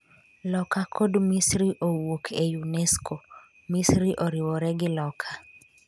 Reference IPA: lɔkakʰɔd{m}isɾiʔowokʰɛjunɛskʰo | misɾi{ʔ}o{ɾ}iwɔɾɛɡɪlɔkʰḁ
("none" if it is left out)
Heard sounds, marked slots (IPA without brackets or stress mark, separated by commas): m, ʔ, ɾ